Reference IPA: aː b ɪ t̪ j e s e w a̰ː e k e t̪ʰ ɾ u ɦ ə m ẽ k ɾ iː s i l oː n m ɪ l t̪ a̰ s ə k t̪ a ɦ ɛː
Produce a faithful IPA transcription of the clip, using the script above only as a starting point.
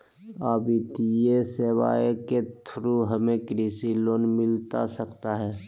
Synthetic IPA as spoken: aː b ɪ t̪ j e s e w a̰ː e k e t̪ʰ ɾ u ɦ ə m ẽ k ɾ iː s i l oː n m ɪ l t̪ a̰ s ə k t̪ a ɦ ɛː